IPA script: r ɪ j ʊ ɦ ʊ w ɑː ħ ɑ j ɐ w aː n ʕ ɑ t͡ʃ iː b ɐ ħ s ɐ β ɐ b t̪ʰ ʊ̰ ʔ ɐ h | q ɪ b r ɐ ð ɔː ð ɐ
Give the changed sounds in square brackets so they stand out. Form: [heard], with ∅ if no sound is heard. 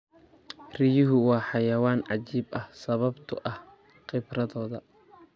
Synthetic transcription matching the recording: r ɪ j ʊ ɦ ʊ w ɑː ħ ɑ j ɐ w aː n ʕ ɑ t͡ʃ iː b ɐ [h] s ɐ β ɐ b t̪ʰ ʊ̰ ʔ ɐ h | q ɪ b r ɐ ð ɔː ð ɐ